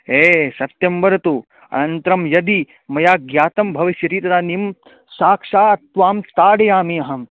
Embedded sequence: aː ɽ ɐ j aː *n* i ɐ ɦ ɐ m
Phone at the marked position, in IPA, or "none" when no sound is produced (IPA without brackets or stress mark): m